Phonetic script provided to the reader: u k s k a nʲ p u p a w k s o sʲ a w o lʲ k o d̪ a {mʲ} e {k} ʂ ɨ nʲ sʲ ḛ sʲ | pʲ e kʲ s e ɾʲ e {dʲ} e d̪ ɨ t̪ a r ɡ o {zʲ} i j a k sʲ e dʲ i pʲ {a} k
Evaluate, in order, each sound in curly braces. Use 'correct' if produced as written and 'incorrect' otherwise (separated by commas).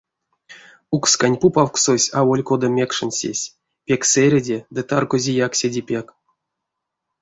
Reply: correct, correct, correct, correct, incorrect